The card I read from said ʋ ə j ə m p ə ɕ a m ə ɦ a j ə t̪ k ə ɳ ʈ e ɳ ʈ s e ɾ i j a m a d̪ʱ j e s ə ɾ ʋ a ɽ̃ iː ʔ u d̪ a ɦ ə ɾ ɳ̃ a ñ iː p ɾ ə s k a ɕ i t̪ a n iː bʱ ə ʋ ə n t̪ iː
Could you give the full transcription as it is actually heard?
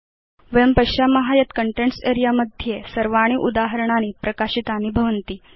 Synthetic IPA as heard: ʋ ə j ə m p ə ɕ a m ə ɦ a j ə t̪ k ə ɳ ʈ e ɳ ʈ s e ɾ i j a m ə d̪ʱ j e s ə ɾ ʋ a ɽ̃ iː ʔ u d̪ a ɦ ə ɾ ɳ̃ a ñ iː p ɾ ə k a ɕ i t̪ a n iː bʱ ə ʋ ə n t̪ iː